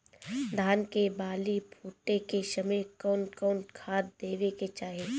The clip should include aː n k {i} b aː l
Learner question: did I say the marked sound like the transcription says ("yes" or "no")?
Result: no